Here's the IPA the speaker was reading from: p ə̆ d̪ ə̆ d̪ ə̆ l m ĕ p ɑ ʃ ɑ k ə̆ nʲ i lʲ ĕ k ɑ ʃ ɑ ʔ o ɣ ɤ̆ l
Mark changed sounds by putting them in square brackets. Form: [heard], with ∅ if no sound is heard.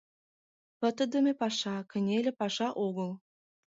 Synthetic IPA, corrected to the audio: p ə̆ [t̪] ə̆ d̪ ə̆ [∅] m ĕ p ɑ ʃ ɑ k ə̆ nʲ [e] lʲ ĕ [p] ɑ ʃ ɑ ʔ o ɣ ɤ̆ l